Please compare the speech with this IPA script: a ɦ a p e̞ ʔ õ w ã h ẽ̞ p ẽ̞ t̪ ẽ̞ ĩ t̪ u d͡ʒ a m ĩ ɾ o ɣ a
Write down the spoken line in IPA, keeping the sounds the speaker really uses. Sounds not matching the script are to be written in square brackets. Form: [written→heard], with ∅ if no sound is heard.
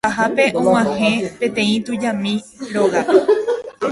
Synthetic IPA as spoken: a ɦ a p e̞ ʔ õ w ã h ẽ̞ p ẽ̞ t̪ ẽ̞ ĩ t̪ u d͡ʒ a m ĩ ɾ o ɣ a